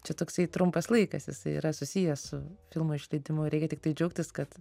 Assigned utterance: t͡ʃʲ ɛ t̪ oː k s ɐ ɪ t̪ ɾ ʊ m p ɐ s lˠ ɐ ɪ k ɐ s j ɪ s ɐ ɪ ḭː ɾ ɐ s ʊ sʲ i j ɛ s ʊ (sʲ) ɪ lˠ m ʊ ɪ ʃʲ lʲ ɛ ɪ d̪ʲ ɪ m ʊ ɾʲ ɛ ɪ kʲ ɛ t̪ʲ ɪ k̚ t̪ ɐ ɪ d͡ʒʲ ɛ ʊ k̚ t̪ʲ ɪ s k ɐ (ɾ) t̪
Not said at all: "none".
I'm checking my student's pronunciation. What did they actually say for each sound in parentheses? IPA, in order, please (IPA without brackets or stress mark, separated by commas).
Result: fʲ, none